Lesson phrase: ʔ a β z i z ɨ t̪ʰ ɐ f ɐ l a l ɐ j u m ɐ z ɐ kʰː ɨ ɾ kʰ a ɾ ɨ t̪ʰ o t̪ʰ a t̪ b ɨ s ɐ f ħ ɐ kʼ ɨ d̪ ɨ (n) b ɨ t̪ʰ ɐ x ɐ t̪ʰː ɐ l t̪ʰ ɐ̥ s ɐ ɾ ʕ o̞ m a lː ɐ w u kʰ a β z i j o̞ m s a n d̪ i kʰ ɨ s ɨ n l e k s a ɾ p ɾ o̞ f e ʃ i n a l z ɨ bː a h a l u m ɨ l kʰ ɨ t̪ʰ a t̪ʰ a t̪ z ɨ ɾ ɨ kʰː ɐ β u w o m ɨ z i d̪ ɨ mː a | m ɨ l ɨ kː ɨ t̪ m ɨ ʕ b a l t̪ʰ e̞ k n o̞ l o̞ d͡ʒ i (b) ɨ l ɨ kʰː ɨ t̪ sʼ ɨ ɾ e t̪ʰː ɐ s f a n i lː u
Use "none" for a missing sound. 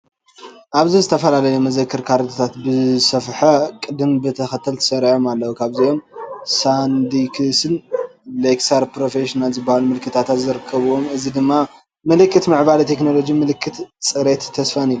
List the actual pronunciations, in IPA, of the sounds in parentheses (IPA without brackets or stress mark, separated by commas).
m, m